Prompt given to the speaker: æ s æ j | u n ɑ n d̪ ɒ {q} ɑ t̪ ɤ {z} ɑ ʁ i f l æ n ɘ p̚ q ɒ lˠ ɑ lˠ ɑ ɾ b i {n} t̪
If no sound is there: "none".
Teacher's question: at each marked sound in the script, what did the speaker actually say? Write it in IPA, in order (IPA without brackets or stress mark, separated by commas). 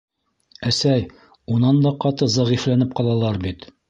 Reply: q, z, none